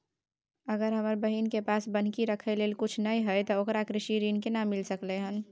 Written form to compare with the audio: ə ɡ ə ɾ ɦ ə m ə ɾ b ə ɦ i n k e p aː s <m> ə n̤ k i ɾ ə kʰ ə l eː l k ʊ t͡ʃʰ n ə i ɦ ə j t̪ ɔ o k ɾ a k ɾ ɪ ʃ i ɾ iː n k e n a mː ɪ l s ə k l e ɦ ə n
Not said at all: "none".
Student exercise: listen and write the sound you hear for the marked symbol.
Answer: b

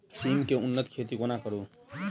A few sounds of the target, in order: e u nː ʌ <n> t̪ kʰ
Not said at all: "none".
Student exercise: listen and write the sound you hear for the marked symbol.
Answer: none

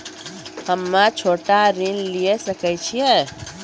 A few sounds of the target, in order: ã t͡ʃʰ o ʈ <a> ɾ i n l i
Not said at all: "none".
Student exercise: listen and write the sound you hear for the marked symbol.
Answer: a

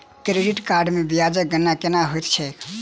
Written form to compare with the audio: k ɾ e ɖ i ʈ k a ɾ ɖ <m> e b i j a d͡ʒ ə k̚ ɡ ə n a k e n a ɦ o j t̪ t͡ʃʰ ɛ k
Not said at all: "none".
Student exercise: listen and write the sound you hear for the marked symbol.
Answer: m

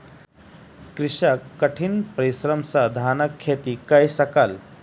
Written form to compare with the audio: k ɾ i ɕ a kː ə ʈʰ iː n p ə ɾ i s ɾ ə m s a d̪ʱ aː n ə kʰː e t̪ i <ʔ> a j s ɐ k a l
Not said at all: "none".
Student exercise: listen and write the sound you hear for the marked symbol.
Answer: k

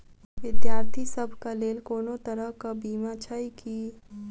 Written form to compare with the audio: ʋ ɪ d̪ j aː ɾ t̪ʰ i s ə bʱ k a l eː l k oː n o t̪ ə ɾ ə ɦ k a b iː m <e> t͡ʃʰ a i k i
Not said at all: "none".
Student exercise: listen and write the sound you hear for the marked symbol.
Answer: a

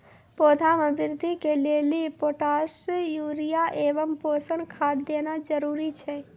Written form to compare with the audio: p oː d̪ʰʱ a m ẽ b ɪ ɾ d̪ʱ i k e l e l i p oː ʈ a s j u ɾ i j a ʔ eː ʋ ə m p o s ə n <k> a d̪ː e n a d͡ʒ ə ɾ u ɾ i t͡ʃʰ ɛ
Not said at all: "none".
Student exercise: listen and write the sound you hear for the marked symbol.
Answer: kʰ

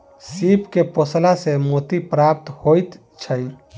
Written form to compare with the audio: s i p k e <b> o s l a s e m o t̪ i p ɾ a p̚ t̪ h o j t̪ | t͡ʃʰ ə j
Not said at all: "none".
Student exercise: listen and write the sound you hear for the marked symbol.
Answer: p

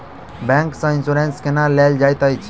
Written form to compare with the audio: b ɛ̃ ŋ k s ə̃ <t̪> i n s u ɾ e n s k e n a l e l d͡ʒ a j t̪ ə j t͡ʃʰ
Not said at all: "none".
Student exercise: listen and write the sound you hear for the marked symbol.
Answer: none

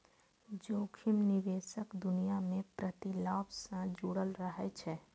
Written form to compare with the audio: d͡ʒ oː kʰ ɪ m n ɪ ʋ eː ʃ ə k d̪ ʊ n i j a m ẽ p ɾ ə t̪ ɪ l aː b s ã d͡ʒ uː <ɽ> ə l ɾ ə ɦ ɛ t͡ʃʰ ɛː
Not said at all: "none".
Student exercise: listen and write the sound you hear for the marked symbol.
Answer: ɽ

